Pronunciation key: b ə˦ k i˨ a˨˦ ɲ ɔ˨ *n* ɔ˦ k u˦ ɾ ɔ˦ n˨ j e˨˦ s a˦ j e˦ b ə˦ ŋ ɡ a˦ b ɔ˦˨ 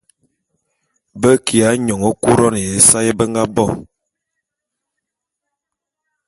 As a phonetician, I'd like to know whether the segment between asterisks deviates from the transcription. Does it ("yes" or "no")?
yes